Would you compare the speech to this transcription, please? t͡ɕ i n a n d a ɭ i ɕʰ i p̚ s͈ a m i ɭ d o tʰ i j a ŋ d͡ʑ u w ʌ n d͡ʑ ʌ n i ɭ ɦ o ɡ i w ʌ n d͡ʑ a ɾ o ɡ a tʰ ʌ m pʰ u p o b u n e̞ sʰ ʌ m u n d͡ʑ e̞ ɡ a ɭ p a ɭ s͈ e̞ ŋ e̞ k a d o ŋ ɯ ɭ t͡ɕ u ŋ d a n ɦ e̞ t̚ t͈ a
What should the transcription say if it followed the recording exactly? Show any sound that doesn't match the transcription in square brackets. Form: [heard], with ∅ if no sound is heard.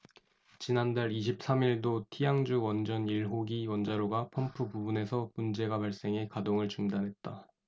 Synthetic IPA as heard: t͡ɕ i n a n d a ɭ i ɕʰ i p̚ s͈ a m i ɭ d o tʰ i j a ŋ d͡ʑ u w ʌ n d͡ʑ ʌ n i ɭ ɦ o ɡ i w ʌ n d͡ʑ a ɾ o ɡ a [pʰ] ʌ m pʰ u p [u] b u n e̞ sʰ ʌ m u n d͡ʑ e̞ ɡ a [∅] p a ɭ s͈ e̞ ŋ e̞ k a d o ŋ ɯ ɭ t͡ɕ u ŋ d a n ɦ e̞ t̚ t͈ a